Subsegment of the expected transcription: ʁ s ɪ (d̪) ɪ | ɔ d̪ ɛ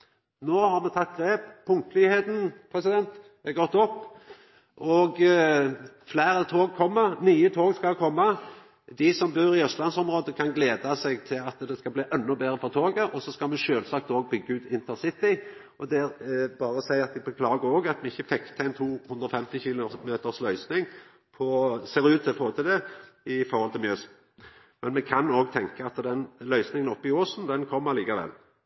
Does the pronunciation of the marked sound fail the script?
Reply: yes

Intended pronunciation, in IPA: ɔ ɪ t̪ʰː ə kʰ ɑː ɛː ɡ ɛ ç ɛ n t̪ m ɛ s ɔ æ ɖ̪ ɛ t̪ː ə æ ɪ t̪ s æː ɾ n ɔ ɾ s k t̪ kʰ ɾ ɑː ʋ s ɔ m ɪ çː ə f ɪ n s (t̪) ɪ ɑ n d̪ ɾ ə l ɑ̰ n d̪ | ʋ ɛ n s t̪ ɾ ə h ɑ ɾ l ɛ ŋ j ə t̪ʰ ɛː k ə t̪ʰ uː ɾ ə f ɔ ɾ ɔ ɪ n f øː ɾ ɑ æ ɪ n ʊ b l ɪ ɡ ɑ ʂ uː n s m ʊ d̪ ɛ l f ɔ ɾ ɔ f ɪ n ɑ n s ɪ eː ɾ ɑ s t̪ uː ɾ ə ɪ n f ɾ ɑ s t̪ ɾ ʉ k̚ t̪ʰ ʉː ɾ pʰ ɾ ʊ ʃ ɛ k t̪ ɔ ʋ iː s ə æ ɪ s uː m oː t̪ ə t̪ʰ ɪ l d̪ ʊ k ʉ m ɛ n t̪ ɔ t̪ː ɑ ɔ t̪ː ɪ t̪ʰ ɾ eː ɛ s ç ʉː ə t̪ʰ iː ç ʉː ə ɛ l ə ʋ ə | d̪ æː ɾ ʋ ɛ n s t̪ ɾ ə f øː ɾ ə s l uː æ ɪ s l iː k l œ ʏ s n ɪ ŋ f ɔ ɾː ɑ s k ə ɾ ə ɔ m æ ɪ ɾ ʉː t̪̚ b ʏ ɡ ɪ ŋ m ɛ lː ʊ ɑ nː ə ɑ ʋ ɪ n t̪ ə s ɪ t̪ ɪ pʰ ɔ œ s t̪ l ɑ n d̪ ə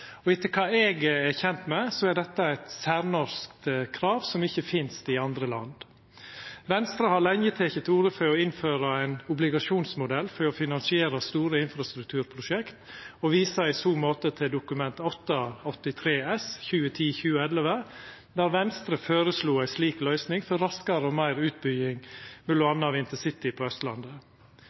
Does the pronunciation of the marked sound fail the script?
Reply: no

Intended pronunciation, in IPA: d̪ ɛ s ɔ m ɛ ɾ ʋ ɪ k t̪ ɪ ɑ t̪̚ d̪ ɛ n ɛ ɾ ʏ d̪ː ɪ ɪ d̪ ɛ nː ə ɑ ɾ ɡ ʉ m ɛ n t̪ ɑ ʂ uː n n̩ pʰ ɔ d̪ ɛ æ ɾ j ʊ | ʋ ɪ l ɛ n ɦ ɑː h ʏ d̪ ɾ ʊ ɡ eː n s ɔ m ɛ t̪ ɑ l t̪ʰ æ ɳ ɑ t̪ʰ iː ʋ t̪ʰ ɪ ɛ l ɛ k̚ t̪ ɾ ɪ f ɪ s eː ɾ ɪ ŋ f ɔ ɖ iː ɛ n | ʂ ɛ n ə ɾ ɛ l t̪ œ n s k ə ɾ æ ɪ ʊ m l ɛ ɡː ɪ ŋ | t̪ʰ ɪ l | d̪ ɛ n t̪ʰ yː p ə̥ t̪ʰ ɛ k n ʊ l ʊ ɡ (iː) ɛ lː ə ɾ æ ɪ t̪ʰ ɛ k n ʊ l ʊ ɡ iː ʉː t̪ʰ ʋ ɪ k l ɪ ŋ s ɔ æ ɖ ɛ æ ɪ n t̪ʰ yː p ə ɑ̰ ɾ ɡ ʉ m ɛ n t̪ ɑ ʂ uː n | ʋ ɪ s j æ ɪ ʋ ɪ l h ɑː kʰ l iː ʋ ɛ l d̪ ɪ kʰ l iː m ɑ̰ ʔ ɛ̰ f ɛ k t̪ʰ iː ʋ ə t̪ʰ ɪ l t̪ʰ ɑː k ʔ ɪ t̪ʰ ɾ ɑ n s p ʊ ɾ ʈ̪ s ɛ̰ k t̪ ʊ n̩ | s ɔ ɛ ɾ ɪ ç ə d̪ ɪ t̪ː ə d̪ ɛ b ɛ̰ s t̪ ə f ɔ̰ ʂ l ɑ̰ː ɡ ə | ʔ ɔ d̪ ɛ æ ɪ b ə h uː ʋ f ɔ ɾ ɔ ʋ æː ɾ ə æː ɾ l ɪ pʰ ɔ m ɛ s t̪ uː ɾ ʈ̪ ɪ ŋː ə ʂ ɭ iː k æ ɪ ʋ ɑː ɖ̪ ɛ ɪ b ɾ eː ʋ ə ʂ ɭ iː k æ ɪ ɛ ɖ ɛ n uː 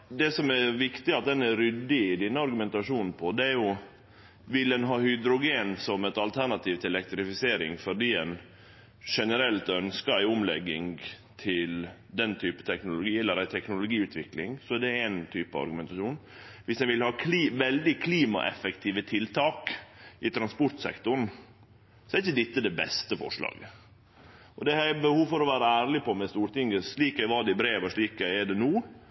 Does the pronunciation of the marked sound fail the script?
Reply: no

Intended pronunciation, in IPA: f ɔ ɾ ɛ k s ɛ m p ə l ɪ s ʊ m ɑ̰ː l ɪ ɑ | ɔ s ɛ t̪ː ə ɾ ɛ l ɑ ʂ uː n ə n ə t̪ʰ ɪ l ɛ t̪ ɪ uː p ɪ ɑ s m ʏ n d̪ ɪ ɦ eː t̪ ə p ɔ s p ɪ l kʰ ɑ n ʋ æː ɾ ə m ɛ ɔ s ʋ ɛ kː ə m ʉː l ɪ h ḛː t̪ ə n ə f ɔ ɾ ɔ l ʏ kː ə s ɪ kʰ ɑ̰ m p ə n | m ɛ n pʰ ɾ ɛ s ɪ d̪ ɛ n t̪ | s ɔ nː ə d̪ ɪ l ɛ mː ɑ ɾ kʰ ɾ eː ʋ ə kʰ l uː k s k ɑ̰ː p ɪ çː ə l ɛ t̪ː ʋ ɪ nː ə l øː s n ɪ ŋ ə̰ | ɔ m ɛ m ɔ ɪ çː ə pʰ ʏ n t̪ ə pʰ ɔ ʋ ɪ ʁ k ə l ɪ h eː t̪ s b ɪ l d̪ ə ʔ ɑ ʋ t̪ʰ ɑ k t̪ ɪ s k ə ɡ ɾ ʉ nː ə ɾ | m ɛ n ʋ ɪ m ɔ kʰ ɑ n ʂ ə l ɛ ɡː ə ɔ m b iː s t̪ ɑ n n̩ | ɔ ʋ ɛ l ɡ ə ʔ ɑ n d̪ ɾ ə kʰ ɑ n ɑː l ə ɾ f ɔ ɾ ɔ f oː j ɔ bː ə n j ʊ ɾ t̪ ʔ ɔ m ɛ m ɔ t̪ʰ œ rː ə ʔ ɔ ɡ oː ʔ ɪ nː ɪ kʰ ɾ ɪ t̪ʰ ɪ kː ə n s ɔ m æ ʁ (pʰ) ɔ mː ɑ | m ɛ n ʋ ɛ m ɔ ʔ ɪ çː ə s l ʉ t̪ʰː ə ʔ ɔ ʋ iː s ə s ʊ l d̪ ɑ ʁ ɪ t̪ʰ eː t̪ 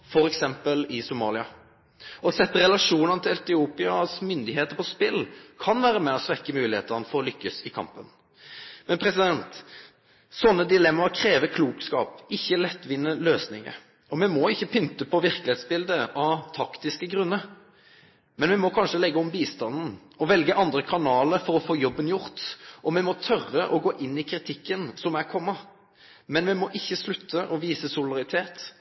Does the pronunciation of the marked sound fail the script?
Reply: yes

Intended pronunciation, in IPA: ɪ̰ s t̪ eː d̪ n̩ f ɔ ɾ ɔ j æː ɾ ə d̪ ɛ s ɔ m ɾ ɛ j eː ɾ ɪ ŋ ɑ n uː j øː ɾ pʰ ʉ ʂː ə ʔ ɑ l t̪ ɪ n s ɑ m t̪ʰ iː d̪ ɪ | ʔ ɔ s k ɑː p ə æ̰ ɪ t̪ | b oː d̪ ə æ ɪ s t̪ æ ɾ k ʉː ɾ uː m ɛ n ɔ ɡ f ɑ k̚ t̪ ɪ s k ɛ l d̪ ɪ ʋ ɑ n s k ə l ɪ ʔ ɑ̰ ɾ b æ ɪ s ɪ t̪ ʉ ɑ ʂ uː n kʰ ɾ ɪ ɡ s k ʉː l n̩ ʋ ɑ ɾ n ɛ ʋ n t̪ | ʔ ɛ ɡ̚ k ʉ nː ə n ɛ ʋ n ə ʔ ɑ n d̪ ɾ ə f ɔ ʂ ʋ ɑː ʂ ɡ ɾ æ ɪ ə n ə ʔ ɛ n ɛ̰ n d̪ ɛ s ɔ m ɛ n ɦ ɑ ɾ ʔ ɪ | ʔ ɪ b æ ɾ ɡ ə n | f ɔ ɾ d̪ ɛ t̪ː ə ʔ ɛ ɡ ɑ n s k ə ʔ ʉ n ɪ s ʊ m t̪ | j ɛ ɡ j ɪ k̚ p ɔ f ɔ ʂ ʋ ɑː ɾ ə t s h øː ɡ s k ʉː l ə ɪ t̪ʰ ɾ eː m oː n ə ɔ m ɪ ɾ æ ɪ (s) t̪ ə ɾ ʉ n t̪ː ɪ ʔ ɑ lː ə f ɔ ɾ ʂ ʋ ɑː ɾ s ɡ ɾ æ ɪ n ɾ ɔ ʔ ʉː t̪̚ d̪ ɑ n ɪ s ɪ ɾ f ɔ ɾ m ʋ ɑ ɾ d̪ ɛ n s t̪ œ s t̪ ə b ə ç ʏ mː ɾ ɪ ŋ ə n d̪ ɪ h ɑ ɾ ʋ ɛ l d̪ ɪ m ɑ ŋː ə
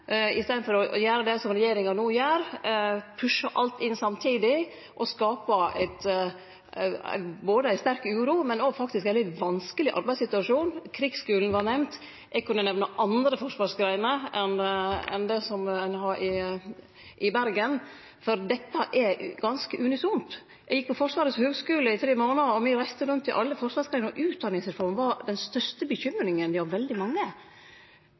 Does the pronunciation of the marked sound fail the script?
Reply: no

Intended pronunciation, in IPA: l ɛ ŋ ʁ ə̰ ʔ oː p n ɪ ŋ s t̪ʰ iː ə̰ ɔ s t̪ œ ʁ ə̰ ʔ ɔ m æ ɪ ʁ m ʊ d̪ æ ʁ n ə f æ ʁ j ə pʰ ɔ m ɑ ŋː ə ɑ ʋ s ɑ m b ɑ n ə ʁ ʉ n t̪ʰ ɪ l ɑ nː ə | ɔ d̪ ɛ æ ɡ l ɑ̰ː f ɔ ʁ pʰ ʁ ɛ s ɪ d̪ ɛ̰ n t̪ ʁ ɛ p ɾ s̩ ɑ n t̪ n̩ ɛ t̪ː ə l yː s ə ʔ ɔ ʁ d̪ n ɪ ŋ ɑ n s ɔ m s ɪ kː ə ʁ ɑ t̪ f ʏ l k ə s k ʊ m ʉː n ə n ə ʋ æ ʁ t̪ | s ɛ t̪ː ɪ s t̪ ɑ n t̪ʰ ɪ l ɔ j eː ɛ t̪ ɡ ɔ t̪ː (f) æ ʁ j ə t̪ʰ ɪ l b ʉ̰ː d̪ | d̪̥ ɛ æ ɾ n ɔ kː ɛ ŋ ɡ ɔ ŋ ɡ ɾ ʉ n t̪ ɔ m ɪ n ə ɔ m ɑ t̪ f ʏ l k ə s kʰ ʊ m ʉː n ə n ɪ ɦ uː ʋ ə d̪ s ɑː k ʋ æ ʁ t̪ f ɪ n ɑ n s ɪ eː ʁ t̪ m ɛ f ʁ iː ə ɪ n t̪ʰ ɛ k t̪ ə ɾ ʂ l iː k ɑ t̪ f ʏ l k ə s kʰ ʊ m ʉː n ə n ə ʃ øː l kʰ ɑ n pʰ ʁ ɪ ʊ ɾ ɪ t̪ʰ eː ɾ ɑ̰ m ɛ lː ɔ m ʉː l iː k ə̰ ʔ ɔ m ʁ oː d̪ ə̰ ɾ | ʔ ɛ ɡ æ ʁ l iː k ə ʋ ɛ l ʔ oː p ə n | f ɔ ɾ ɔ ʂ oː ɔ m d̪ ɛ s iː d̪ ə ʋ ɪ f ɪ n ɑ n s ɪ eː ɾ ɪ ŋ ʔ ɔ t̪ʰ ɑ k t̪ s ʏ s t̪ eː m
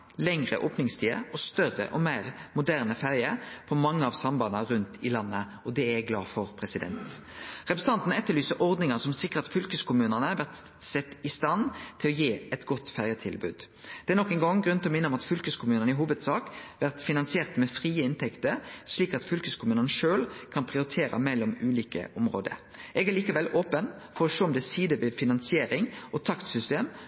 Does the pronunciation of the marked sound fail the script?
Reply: no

